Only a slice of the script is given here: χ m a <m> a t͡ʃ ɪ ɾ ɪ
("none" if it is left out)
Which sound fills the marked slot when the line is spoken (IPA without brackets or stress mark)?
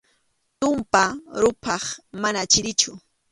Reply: n